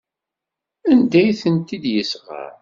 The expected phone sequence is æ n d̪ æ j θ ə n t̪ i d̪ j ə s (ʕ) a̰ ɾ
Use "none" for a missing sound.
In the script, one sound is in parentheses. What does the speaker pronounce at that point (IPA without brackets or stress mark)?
ʁ